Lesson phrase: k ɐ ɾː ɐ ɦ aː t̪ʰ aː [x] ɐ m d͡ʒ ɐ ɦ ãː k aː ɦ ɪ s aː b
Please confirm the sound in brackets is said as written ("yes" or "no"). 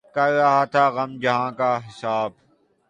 no